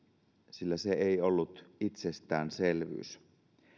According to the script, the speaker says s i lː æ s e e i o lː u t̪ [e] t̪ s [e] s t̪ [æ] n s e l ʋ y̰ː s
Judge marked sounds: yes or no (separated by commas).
no, yes, no